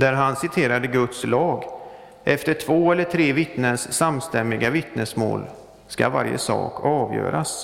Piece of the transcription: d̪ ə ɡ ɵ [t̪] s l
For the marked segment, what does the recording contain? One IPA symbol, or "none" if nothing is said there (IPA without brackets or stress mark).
t̪